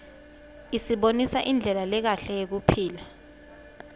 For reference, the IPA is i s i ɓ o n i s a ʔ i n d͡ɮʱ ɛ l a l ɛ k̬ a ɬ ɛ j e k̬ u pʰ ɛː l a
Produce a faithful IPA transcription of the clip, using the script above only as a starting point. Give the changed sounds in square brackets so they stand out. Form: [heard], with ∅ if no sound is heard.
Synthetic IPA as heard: i s i ɓ o n i s a ʔ i n d͡ɮʱ ɛ l a l ɛ k̬ a ɬ ɛ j e k̬ u pʰ [iː] l a